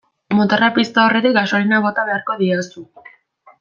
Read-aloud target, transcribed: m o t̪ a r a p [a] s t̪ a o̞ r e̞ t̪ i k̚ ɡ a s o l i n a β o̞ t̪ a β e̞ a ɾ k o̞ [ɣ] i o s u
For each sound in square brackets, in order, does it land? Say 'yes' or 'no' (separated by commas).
no, no